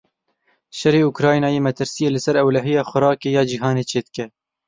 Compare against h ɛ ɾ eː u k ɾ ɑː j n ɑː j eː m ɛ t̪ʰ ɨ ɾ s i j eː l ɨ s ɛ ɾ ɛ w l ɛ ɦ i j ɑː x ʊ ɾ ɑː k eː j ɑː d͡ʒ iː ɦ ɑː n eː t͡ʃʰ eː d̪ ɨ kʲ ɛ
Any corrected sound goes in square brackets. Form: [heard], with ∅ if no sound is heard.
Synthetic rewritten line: [ʃ] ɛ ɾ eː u k ɾ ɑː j n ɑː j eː m ɛ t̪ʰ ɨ ɾ s i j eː l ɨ s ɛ ɾ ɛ w l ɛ ɦ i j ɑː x ʊ ɾ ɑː k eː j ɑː d͡ʒ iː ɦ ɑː n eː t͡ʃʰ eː d̪ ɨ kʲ ɛ